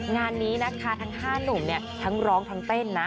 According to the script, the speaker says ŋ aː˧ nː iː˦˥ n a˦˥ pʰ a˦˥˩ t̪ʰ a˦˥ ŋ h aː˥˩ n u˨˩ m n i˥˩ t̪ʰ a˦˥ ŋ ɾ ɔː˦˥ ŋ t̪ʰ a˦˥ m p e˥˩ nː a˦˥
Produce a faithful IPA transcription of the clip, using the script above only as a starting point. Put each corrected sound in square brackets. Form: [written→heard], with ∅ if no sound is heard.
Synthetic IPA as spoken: ŋ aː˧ nː iː˦˥ n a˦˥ [pʰ→kʰ] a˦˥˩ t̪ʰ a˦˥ ŋ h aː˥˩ n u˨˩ m n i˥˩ t̪ʰ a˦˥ ŋ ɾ ɔː˦˥ ŋ t̪ʰ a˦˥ [m→ŋ] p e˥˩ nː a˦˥